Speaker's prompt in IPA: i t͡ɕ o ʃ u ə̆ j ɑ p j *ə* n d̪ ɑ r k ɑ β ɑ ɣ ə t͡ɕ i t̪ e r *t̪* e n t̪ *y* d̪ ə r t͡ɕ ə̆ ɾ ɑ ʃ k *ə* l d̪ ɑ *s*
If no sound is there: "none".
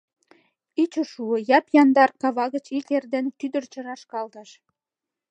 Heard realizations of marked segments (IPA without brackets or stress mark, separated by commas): ɑ, d̪, y, ɑ, ʃ